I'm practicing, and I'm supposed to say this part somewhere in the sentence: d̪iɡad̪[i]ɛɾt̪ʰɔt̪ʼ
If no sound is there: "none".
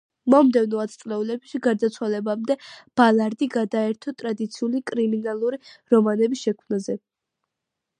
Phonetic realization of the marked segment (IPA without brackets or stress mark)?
a